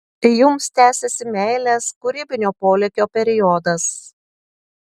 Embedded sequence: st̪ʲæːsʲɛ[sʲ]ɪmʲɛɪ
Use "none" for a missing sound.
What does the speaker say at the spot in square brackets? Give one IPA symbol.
sʲ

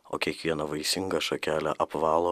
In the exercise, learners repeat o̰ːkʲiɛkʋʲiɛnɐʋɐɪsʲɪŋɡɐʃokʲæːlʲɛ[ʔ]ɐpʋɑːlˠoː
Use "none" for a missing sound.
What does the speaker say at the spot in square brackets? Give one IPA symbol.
ʔ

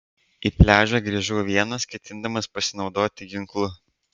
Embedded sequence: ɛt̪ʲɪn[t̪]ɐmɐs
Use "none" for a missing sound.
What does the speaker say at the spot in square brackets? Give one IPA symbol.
d̪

